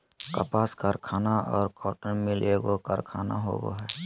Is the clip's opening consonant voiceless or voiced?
voiceless